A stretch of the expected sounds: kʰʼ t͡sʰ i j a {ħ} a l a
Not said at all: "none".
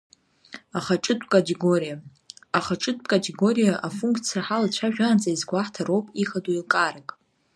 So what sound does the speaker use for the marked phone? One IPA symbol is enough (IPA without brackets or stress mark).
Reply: ħ